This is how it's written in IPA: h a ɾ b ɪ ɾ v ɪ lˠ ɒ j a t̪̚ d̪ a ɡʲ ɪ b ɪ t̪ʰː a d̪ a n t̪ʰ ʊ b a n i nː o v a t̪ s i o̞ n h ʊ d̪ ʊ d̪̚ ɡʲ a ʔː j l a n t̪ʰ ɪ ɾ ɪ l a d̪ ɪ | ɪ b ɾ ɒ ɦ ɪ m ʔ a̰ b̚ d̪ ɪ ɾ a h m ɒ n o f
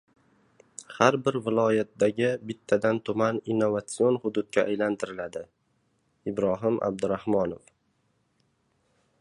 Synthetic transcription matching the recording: h a ɾ b ɪ ɾ v ɪ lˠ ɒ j a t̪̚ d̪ a ɡʲ ɪ b ɪ t̪ʰː a d̪ a n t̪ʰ ʊ m a n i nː o v a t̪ s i o̞ n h ʊ d̪ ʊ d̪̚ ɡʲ a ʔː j l a n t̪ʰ ɪ ɾ ɪ l a d̪ ɪ | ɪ b ɾ ɒ ɦ ɪ m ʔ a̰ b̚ d̪ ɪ ɾ a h m ɒ n o f